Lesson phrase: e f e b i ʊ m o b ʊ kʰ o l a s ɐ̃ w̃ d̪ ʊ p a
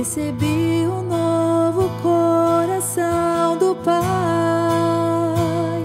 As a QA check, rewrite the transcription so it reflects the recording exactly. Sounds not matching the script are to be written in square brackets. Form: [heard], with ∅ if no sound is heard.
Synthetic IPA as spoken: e [s] e b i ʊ [n] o [v] ʊ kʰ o [ɾ] a s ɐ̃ w̃ d̪ ʊ p a